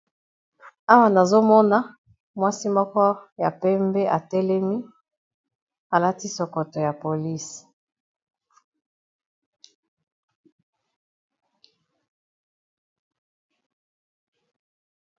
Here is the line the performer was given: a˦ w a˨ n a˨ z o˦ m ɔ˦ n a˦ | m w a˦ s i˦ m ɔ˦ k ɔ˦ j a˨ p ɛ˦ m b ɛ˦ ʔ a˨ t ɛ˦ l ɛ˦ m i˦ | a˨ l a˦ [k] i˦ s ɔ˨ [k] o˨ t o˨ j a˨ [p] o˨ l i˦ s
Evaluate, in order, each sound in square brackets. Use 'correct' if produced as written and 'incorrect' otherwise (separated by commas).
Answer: incorrect, correct, correct